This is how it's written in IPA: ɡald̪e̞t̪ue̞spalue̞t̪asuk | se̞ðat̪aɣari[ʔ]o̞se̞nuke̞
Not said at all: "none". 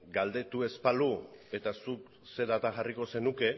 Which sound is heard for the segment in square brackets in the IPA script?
k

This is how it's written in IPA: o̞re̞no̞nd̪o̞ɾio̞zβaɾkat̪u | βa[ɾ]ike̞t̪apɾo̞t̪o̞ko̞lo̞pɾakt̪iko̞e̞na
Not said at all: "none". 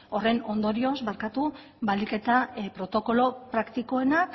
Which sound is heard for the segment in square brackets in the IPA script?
l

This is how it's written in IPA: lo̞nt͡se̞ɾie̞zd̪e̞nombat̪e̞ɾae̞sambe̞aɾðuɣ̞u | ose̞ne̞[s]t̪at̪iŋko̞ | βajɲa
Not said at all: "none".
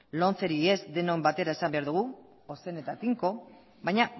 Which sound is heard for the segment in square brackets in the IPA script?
none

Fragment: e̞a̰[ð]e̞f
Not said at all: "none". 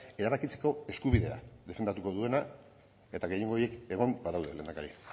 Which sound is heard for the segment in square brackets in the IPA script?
ð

